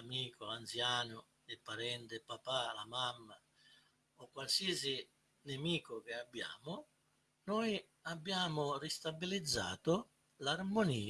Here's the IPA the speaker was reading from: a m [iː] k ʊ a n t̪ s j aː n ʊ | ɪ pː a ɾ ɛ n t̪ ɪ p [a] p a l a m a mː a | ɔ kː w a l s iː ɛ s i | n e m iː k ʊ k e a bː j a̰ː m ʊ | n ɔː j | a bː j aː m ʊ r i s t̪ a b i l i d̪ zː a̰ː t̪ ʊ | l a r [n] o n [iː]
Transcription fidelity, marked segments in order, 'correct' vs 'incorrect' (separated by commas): correct, correct, incorrect, correct